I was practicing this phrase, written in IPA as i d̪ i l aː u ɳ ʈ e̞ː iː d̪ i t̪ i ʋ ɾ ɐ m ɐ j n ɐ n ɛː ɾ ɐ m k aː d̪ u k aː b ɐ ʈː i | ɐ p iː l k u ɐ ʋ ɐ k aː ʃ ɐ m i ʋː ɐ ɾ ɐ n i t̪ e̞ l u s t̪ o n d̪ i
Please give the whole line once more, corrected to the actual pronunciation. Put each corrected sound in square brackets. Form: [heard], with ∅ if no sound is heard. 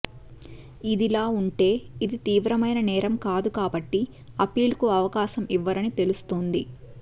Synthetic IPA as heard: i d̪ i l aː u ɳ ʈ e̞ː [i] d̪ i t̪ [iː] ʋ ɾ ɐ m ɐ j n ɐ n ɛː ɾ ɐ m k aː d̪ u k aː b ɐ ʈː i | ɐ p iː l k u ɐ ʋ ɐ k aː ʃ ɐ m i ʋː ɐ ɾ ɐ n i t̪ e̞ l u s t̪ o n d̪ i

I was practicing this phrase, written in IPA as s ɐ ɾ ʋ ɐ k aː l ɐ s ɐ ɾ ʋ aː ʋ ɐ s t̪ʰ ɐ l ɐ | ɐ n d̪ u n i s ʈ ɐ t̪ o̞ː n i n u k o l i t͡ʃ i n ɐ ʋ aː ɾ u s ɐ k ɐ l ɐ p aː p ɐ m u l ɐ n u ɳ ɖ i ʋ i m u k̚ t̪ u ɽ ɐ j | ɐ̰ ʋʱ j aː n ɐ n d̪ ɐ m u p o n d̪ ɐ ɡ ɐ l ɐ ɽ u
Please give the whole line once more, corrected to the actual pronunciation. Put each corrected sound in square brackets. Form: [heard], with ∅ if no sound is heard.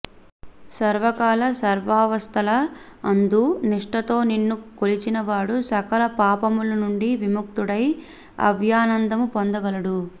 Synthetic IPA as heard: s ɐ ɾ ʋ ɐ k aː l ɐ s ɐ ɾ ʋ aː ʋ ɐ s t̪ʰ ɐ l ɐ | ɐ n d̪ u n i [ʂ] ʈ ɐ t̪ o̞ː n i [nː] u k o l i t͡ʃ i n ɐ ʋ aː [ɽ] u s ɐ k ɐ l ɐ p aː p ɐ m u l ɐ n u ɳ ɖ i ʋ i m u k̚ t̪ u ɽ ɐ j | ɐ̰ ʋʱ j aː n ɐ n d̪ ɐ m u p o n d̪ ɐ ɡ ɐ l ɐ ɽ u

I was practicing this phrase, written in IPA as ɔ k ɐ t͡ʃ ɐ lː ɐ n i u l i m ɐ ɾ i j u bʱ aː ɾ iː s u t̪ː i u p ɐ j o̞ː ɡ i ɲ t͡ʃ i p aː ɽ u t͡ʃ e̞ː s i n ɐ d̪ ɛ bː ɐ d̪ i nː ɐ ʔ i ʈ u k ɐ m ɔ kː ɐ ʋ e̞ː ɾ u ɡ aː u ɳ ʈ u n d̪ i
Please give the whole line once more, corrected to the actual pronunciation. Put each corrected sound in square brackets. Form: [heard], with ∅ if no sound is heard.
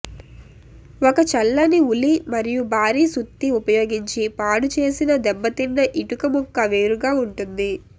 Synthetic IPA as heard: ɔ k ɐ t͡ʃ ɐ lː ɐ n i u l i m ɐ ɾ i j u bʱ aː ɾ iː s u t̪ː i u p ɐ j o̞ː ɡ i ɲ t͡ʃ i p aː ɽ u t͡ʃ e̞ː s i n ɐ d̪ ɛ bː ɐ [t̪] i nː ɐ ʔ i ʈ u k ɐ m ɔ kː ɐ ʋ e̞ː ɾ u ɡ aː u ɳ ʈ u n d̪ i

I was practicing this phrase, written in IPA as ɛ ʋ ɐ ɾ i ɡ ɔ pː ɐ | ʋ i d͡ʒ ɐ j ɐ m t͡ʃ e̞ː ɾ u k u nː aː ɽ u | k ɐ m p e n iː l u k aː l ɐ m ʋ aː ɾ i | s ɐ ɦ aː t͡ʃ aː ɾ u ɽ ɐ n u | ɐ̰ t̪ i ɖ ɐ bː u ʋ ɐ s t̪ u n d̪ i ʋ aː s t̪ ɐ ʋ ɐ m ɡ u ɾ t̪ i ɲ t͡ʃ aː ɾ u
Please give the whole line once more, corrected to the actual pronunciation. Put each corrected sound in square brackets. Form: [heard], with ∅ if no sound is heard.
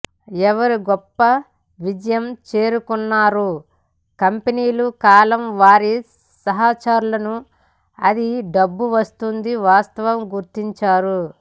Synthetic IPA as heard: ɛ ʋ ɐ ɾ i ɡ ɔ pː ɐ | ʋ i d͡ʒ ɐ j ɐ m t͡ʃ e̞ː ɾ u k u nː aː [ɾ] u | k ɐ m p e n iː l u k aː l ɐ m ʋ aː ɾ i | s ɐ ɦ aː t͡ʃ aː ɾ u [l] ɐ n u | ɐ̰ [d̪] i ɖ ɐ bː u ʋ ɐ s t̪ u n d̪ i ʋ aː s t̪ ɐ ʋ ɐ m ɡ u ɾ t̪ i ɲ t͡ʃ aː ɾ u

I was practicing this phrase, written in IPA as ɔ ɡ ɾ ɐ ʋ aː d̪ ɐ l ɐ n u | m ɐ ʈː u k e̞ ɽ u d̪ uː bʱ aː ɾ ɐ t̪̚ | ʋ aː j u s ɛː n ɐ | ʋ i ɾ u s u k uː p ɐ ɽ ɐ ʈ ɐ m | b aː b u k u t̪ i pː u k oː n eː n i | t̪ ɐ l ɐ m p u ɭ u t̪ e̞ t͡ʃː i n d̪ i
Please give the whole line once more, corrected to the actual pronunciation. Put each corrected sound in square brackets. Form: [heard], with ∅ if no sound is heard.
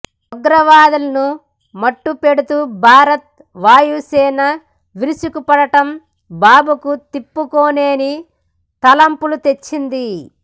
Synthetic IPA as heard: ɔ ɡ ɾ ɐ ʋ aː d̪ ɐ l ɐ n u | m ɐ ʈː u [p] e̞ ɽ u [t̪] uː bʱ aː ɾ ɐ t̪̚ | ʋ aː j u s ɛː n ɐ | ʋ i ɾ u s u k [u] p ɐ ɽ ɐ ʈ ɐ m | b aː b u k u t̪ i pː u k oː n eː n i | t̪ ɐ l ɐ m p u [l] u t̪ e̞ t͡ʃː i n d̪ i

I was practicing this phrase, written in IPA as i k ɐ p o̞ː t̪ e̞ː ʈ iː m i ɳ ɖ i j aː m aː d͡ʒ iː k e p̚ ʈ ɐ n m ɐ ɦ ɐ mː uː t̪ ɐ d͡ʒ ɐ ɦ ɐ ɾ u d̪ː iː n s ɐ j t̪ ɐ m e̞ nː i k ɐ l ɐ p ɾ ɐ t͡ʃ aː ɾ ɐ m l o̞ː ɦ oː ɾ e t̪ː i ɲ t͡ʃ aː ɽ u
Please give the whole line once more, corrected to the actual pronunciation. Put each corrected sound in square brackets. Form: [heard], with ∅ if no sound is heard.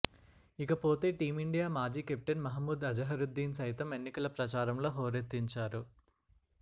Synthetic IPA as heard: i k ɐ p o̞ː t̪ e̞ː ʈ iː m i ɳ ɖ i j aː m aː d͡ʒ iː k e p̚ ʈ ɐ n m ɐ ɦ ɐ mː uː [d̪] ɐ d͡ʒ ɐ ɦ ɐ ɾ u d̪ː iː n s ɐ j t̪ ɐ m e̞ nː i k ɐ l ɐ p ɾ ɐ t͡ʃ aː ɾ ɐ m l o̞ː ɦ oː ɾ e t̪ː i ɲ t͡ʃ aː [ɾ] u

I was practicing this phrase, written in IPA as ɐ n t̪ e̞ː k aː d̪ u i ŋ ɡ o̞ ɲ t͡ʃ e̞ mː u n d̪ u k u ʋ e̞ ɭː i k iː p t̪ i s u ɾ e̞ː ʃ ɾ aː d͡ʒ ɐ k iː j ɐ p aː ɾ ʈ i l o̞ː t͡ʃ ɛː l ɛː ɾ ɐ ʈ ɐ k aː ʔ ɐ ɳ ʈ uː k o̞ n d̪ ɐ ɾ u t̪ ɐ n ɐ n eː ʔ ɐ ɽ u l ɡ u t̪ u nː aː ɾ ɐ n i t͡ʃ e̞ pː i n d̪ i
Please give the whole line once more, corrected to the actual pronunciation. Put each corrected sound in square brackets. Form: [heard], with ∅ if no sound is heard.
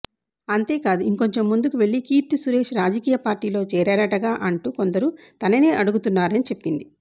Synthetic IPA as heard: ɐ n t̪ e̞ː k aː d̪ u i ŋ [k] o̞ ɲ t͡ʃ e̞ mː u n d̪ u k u ʋ e̞ ɭː i k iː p t̪ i s u ɾ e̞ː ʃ ɾ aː d͡ʒ ɐ k iː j ɐ p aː ɾ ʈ [iː] l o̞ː t͡ʃ ɛː [ɾ] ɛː ɾ ɐ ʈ ɐ [ɡ] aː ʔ ɐ ɳ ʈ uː k o̞ n d̪ ɐ ɾ u t̪ ɐ n ɐ n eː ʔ ɐ ɽ u [∅] ɡ u t̪ u nː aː ɾ ɐ n i t͡ʃ e̞ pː i n d̪ i

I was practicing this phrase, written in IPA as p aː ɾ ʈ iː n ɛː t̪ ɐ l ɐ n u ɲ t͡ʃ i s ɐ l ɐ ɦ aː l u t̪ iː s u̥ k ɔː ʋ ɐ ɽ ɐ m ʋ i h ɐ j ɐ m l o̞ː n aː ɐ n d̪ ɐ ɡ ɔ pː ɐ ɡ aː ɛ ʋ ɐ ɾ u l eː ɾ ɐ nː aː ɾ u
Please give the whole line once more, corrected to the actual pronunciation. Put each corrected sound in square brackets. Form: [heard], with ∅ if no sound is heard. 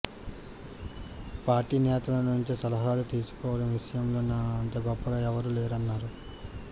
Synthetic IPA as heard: p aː ɾ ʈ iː n ɛː t̪ ɐ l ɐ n u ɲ t͡ʃ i s ɐ l ɐ ɦ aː l u t̪ iː s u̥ k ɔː ʋ ɐ ɽ ɐ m ʋ i [ʂ] ɐ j ɐ m l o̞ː n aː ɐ n [t̪] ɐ ɡ ɔ pː ɐ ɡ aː ɛ ʋ ɐ ɾ u l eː ɾ ɐ nː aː ɾ u

